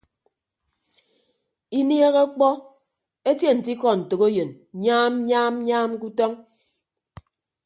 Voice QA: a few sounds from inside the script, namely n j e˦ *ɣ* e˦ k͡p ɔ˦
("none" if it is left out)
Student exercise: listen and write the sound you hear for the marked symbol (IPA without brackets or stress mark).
ɣ